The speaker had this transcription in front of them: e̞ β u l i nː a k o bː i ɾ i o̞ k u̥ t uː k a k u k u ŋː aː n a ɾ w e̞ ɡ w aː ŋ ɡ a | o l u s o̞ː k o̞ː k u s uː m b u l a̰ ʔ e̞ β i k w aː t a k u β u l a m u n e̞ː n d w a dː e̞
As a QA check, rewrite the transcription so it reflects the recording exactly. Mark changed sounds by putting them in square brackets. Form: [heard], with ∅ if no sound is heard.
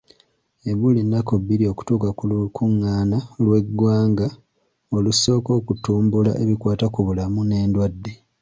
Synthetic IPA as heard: e̞ β u l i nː a k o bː i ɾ i o̞ k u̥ t uː k a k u k u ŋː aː n a [l] w e̞ ɡ w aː ŋ ɡ a | o l u s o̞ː k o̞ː k u [t] uː m b u l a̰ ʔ e̞ β i k w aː t a k u β u l a m u n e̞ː n d w a dː e̞